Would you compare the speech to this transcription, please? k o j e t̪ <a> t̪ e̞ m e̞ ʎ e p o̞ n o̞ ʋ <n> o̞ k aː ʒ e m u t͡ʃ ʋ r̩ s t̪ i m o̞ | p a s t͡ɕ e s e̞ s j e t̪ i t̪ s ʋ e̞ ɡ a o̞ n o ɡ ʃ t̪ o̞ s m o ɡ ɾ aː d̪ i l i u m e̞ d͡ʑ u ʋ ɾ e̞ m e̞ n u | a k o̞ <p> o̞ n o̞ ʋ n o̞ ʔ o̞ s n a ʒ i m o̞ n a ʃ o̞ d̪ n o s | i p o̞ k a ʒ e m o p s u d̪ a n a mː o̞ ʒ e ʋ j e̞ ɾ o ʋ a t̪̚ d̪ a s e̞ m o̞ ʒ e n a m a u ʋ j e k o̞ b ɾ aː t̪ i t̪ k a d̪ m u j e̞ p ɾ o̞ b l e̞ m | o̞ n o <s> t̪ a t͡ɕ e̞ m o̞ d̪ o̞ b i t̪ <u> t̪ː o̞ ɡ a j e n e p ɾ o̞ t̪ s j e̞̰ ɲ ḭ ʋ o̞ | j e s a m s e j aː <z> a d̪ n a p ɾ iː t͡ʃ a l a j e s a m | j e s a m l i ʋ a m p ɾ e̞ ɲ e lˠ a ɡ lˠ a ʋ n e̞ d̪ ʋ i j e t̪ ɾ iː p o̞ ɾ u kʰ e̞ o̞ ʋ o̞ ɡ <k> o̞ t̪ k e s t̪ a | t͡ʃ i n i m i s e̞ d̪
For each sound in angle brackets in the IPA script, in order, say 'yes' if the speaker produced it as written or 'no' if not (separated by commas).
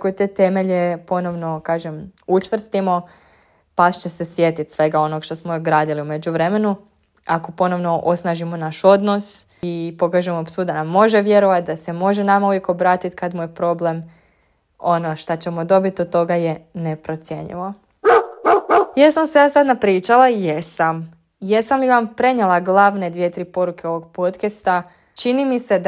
no, yes, yes, no, no, no, no